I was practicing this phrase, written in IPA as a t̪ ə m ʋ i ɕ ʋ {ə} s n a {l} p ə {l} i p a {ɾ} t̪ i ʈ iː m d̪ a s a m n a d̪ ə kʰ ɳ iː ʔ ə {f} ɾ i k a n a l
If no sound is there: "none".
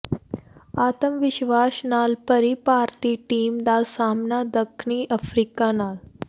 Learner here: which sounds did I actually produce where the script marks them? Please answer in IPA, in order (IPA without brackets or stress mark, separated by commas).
a, l, ɾ, ɾ, f